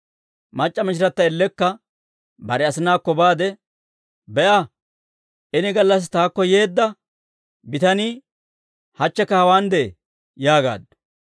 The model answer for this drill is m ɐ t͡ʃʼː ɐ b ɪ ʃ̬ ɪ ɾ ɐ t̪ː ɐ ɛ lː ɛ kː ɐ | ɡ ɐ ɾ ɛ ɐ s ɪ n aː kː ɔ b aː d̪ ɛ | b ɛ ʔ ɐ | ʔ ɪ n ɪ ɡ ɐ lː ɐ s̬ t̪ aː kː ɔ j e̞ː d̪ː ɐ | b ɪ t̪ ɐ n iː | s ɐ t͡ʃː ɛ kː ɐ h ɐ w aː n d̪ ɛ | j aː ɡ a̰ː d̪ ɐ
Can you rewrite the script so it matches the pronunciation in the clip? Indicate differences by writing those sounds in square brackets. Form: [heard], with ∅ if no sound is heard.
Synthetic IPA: m ɐ t͡ʃʼː ɐ [m] ɪ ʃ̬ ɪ ɾ ɐ t̪ː ɐ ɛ lː ɛ kː ɐ | [b] ɐ ɾ ɛ ɐ s ɪ n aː kː ɔ b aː d̪ ɛ | b ɛ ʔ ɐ | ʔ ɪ n ɪ ɡ ɐ lː ɐ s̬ t̪ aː kː ɔ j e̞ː d̪ː ɐ | b ɪ t̪ ɐ n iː | [h] ɐ t͡ʃː ɛ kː ɐ h ɐ w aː n d̪ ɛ | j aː ɡ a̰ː d̪ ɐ